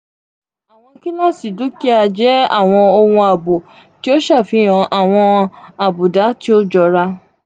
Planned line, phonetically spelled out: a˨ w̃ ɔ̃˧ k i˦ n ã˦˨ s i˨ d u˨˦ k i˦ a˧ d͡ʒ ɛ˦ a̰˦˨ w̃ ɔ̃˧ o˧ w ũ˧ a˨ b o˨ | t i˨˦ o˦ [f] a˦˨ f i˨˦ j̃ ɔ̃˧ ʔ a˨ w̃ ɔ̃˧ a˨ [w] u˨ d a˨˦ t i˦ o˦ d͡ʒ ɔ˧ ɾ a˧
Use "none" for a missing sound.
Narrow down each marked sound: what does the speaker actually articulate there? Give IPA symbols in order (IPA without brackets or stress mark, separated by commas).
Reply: ʃ, b